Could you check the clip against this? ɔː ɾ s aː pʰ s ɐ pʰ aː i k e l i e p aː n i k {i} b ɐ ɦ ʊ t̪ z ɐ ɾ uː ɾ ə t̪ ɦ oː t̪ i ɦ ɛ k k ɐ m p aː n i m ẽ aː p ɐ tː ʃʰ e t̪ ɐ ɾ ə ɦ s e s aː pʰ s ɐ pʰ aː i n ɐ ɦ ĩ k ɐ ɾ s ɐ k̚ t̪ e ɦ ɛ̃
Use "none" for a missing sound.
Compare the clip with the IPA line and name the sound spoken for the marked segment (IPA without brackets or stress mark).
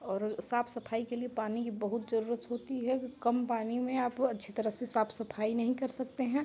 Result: i